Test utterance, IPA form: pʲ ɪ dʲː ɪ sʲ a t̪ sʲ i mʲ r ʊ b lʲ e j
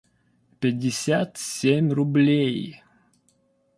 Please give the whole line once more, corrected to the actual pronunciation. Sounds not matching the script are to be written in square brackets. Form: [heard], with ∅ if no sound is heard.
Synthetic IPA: pʲ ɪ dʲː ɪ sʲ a t̪ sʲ [e] mʲ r ʊ b lʲ e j